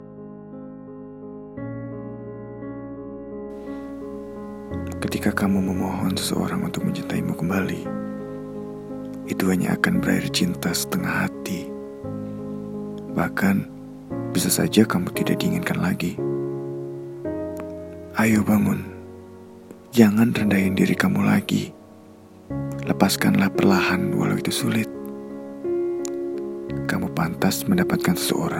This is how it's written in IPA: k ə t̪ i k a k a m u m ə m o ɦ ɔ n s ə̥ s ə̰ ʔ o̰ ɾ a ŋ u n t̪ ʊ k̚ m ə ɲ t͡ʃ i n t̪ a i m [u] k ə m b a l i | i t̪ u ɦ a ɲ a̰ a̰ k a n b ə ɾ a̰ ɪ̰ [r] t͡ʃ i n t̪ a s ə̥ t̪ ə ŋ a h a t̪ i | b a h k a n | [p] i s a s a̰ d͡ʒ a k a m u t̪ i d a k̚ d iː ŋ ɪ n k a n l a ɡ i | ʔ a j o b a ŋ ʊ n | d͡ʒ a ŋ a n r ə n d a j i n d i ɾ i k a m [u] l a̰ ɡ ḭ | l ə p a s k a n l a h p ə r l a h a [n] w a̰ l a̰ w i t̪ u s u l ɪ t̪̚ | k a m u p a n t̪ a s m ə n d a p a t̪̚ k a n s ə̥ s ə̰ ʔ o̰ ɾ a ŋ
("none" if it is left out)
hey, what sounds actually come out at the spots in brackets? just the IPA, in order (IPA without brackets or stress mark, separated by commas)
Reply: u, r, b, u, n